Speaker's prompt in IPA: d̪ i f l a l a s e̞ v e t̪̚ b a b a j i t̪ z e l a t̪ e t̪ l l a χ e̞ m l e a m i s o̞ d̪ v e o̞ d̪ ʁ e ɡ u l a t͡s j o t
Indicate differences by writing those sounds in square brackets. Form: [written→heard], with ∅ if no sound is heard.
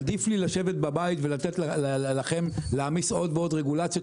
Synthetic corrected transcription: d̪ i f l [a→i] l a [s→ʃ] e̞ v e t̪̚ b a b a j i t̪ [z→v] e l a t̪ e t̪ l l a χ e̞ m l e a m i s o̞ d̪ v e o̞ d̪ ʁ e ɡ u l a t͡s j o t